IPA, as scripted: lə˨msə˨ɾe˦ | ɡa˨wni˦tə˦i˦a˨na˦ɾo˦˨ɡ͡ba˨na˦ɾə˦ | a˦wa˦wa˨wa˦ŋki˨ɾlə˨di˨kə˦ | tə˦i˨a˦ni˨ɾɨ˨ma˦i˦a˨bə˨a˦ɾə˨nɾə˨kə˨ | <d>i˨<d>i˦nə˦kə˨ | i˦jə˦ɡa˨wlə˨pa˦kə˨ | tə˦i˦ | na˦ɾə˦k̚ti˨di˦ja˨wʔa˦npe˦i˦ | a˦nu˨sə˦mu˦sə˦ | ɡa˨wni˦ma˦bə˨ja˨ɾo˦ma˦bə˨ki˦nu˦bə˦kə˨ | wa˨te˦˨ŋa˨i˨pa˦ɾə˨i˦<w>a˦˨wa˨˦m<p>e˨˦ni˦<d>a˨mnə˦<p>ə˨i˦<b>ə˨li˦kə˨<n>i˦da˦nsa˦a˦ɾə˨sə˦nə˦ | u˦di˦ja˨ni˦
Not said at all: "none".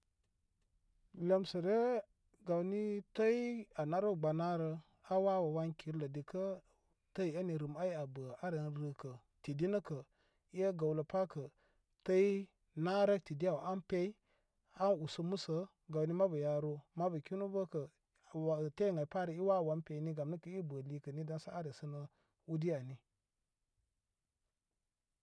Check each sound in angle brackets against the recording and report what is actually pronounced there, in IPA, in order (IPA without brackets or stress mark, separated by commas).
t, d, w, p, ɡ, k, b, n